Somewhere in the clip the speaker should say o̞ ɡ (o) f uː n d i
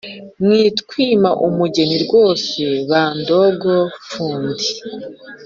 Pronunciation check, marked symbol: correct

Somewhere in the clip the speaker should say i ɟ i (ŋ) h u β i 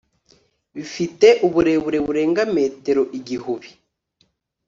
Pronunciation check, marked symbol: incorrect: none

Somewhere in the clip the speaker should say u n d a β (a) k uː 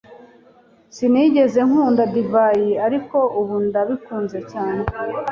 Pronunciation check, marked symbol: incorrect: i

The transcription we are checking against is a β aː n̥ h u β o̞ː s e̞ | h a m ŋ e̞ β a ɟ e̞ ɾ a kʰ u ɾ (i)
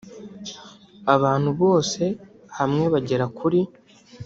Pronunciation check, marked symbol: correct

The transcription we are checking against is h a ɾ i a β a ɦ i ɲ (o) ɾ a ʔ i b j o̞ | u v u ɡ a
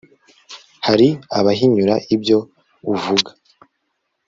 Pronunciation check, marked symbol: incorrect: u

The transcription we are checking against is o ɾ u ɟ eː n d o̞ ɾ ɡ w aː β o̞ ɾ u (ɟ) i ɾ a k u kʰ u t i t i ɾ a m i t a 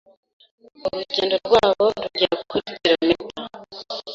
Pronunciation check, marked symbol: correct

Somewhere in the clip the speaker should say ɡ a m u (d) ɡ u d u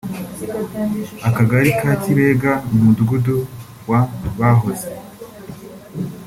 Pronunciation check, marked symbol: correct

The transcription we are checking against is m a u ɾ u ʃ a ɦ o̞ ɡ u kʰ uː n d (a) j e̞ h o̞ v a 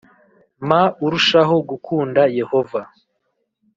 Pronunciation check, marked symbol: correct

